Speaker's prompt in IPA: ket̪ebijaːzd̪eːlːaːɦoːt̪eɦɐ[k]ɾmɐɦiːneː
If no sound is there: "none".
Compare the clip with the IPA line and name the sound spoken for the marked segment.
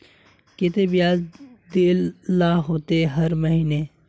none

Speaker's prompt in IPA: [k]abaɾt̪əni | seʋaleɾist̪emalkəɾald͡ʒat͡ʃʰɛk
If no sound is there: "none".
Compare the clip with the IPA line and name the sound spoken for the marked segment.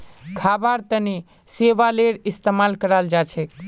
kʰ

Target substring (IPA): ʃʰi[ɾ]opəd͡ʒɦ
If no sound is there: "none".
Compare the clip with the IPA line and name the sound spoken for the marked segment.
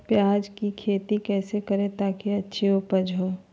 none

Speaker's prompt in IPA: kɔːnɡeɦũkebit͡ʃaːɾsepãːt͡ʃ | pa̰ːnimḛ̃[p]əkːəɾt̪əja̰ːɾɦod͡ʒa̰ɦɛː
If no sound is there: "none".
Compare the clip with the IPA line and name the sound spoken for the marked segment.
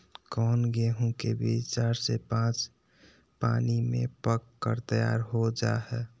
p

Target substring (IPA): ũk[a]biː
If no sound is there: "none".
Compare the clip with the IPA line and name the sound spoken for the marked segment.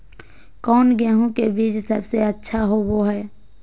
e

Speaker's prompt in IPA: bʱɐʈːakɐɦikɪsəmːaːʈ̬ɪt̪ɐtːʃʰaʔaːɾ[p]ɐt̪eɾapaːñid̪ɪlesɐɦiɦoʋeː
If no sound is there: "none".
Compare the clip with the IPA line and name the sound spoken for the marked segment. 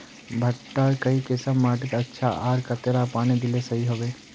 k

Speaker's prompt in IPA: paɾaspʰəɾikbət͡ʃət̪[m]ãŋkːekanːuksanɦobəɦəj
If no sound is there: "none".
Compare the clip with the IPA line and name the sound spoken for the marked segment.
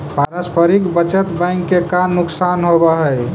b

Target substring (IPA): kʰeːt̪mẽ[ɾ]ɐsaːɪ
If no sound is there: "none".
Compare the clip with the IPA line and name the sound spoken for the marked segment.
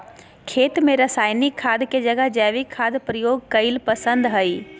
ɾ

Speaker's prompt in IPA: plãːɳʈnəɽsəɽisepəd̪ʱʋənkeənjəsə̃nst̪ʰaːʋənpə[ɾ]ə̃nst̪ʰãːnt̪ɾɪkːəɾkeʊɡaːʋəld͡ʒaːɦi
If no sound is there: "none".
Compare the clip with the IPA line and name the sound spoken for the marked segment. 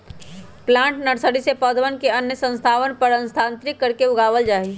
ɾ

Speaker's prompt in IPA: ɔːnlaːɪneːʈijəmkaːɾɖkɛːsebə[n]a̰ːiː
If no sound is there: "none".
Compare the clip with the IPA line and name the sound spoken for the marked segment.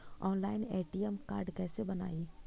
n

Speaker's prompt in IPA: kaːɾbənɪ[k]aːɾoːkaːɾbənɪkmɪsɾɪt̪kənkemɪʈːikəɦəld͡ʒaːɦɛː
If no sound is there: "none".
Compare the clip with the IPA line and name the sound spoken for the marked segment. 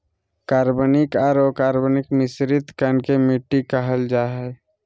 k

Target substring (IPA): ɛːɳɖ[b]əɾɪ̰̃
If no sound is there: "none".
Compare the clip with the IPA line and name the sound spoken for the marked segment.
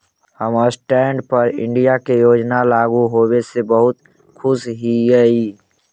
p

